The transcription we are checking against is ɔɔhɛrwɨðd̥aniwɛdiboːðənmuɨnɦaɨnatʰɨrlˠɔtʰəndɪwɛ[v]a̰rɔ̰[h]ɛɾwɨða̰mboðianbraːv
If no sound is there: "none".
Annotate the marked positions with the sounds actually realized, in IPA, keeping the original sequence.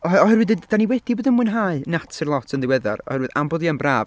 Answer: ð, h

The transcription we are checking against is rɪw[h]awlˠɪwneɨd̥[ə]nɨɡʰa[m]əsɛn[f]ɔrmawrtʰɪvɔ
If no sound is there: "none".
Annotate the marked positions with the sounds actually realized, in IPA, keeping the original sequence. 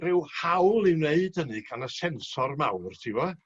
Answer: h, ə, n, s

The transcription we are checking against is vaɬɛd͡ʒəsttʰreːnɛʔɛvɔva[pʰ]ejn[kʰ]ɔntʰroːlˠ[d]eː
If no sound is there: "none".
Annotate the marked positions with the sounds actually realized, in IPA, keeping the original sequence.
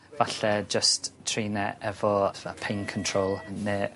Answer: pʰ, kʰ, n

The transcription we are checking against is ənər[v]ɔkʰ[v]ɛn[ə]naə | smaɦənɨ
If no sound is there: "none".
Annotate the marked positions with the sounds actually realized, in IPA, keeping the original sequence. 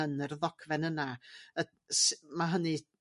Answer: ð, v, ə

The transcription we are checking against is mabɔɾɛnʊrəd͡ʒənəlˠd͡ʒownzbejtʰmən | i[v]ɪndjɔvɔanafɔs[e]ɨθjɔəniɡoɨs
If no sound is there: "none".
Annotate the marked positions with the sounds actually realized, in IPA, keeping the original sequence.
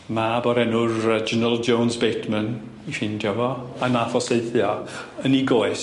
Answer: f, e

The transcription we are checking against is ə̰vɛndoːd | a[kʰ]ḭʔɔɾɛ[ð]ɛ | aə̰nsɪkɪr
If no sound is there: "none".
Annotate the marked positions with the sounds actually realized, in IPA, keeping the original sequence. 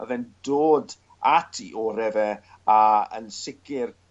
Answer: tʰ, v

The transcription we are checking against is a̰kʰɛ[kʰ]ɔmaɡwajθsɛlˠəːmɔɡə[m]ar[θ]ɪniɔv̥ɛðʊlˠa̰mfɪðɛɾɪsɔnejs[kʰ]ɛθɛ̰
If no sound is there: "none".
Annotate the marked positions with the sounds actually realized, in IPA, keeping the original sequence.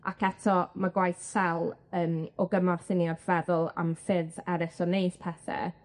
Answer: tʰ, m, θ, pʰ

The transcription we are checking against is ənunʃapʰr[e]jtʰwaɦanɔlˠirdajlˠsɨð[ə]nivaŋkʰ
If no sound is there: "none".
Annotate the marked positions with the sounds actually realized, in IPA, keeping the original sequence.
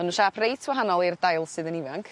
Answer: e, ə

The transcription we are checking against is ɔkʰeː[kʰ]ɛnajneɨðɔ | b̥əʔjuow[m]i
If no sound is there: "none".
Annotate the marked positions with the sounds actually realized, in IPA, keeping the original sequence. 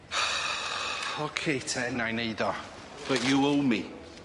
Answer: tʰ, m

